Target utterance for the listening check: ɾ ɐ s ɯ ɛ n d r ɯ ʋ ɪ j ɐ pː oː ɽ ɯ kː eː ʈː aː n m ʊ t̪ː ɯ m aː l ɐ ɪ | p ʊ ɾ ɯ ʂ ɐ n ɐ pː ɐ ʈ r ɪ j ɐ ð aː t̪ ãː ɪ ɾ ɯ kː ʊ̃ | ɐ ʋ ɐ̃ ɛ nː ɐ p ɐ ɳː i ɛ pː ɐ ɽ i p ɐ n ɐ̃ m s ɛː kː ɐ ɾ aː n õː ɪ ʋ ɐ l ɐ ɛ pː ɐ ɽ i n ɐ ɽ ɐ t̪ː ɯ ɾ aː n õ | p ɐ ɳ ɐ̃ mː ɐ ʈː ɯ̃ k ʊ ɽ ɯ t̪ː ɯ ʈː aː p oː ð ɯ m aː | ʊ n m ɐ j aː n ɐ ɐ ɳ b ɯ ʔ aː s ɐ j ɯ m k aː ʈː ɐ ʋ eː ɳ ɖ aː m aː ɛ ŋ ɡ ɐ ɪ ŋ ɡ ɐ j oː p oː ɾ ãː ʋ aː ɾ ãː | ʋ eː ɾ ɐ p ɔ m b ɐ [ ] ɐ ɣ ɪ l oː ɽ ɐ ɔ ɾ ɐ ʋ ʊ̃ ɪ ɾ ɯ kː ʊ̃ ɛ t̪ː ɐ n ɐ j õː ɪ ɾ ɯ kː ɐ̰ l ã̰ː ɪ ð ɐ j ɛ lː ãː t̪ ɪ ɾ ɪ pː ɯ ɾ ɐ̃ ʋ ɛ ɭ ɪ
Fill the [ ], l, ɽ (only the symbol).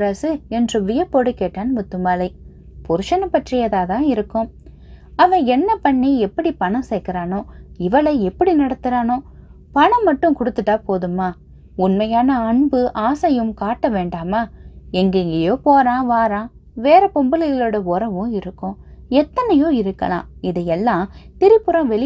l